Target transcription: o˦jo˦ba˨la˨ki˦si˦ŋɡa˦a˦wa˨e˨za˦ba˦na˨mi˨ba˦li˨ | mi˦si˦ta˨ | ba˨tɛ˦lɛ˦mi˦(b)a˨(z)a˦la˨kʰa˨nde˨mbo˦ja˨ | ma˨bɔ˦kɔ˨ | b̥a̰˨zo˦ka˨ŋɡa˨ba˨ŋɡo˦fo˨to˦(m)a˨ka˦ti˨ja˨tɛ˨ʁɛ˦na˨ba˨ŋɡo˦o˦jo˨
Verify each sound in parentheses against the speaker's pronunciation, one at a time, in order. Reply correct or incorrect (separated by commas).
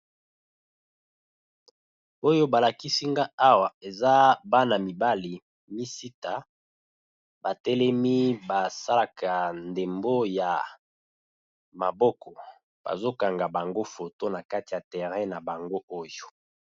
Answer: correct, incorrect, incorrect